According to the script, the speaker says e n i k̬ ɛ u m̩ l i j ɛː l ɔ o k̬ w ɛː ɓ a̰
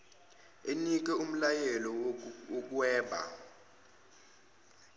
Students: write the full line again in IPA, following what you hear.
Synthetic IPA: e n i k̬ ɛ u m̩ l a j ɛ l ɔ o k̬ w ɛː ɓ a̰